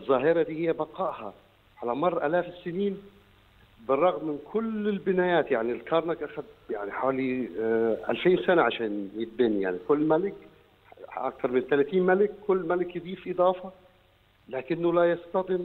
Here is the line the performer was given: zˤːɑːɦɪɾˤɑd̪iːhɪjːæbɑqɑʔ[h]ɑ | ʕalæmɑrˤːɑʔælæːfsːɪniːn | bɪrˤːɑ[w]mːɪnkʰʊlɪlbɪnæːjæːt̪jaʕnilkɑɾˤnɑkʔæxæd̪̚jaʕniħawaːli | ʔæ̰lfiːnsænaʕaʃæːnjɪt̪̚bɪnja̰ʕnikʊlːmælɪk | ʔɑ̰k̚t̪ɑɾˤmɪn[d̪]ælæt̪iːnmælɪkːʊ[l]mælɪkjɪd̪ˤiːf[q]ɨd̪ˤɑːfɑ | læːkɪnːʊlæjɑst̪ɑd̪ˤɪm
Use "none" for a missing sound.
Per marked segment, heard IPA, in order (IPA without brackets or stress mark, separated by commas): h, ɣ, t̪, lː, ʔ